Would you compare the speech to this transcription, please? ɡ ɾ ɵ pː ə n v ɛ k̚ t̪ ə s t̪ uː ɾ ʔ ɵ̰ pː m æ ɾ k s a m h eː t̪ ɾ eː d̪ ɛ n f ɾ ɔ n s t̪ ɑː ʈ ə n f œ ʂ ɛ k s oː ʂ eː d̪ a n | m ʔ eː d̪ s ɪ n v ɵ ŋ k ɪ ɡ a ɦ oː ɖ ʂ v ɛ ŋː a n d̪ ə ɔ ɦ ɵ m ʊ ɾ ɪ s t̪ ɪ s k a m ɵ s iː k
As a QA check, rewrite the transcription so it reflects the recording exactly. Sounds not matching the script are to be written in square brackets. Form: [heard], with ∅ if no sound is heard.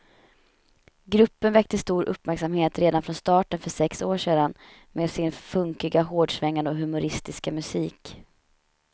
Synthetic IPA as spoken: ɡ ɾ ɵ pː ə n v ɛ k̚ t̪ ə s t̪ uː ɾ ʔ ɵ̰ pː m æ ɾ k s a m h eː t̪ ɾ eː d̪ [a] n f ɾ ɔ n s t̪ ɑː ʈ ə n f œ ʂ ɛ k s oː ʂ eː d̪ a n | m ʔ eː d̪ s ɪ n [f] ɵ ŋ k ɪ ɡ a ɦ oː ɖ ʂ v ɛ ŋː a n d̪ ə ɔ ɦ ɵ m ʊ ɾ ɪ s t̪ ɪ s k a m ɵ s iː k